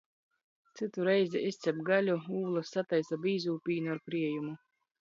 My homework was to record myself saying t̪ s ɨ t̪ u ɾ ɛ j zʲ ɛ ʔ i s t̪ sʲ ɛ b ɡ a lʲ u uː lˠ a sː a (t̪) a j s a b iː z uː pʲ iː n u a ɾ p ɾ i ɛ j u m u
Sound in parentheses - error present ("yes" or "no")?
no